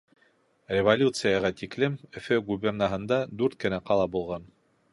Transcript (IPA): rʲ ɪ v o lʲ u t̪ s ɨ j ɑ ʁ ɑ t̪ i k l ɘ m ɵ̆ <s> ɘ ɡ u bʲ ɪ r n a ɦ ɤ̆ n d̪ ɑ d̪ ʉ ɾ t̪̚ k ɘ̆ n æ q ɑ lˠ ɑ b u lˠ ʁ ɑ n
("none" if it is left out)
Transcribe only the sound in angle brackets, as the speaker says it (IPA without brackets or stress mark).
f